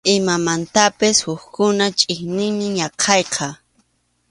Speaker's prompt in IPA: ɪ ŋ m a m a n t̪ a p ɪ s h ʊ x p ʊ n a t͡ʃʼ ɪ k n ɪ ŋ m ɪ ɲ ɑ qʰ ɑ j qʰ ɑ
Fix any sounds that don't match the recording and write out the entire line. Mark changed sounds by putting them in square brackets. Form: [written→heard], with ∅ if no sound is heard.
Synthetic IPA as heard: ɪ [ŋ→∅] m a m a n t̪ a p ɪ s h ʊ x [p→k] ʊ n a t͡ʃʼ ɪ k n ɪ ŋ m ɪ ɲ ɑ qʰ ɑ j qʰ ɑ